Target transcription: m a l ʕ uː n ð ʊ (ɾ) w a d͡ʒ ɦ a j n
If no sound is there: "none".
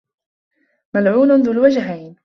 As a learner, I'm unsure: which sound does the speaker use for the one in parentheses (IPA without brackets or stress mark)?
l